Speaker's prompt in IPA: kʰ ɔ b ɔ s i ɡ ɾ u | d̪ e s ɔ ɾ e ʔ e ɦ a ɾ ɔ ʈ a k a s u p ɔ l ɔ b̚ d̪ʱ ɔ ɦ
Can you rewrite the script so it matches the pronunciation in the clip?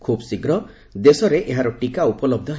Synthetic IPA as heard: kʰ u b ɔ s i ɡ ɾ ɔ | d̪ e s ɔ ɾ e ʔ e ɦ a ɾ ɔ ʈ i k a u p ɔ l ɔ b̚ d̪ʱ ɔ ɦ